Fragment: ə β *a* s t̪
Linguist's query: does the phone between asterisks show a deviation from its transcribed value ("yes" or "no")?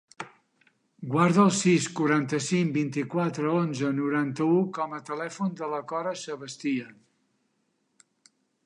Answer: yes